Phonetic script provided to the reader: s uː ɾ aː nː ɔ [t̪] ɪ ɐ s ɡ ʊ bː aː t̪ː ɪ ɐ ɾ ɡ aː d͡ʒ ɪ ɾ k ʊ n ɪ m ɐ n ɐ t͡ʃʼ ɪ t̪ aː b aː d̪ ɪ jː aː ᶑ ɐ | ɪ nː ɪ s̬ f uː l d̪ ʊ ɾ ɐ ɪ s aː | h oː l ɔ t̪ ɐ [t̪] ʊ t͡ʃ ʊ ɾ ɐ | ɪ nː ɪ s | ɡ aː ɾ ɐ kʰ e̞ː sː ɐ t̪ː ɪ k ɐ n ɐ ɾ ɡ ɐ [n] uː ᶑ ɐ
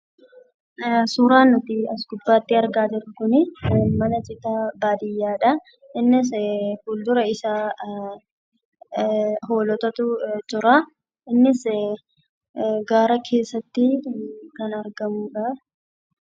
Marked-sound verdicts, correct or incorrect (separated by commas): correct, correct, incorrect